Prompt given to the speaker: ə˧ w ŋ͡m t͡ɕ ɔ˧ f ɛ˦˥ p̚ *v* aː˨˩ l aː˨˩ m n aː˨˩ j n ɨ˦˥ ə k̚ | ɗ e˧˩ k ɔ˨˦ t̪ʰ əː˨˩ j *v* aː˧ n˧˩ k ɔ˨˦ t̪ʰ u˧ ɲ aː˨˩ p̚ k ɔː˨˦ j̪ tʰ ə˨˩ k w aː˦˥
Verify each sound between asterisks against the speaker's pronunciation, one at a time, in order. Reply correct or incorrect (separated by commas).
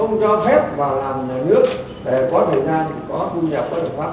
correct, incorrect